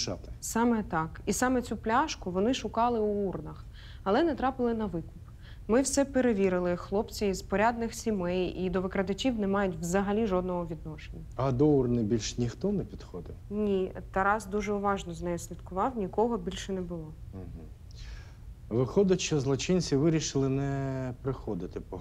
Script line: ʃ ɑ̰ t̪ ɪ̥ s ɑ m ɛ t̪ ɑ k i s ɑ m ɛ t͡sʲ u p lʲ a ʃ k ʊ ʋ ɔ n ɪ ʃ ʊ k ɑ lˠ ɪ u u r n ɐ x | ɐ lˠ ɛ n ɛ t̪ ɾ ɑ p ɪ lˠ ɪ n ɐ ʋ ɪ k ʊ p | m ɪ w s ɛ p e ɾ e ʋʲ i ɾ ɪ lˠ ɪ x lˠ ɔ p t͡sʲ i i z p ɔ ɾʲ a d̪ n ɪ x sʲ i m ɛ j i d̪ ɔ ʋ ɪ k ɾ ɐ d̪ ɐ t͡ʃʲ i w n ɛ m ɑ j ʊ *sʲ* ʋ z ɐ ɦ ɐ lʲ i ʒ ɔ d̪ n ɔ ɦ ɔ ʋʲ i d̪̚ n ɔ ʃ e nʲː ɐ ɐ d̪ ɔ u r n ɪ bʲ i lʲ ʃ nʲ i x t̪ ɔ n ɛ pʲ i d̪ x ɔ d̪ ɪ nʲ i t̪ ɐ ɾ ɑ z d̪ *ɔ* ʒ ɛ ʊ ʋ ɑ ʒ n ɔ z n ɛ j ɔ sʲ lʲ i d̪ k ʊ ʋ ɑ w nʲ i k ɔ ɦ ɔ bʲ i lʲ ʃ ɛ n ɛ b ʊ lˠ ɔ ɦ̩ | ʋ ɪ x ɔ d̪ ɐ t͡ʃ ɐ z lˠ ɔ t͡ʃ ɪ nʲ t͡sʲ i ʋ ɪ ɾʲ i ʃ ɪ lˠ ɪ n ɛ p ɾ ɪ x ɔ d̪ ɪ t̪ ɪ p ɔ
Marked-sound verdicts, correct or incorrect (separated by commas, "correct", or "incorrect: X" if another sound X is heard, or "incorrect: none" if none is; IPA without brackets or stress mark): incorrect: tʲ, incorrect: u